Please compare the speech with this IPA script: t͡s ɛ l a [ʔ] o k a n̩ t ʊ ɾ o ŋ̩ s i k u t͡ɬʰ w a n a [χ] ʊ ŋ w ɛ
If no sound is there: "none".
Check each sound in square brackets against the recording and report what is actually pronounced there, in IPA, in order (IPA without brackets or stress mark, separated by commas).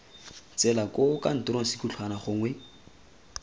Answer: k, χ